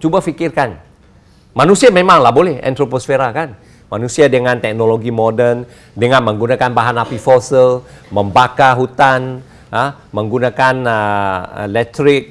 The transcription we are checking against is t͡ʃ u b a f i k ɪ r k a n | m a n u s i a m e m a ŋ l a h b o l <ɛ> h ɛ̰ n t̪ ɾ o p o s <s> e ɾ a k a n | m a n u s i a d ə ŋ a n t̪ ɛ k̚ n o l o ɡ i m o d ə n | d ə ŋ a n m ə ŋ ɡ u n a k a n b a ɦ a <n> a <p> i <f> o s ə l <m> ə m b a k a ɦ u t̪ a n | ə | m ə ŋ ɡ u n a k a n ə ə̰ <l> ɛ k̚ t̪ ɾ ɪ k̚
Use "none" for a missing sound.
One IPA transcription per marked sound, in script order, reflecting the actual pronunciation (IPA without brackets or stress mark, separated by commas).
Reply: ɛ, f, n, p, f, m, l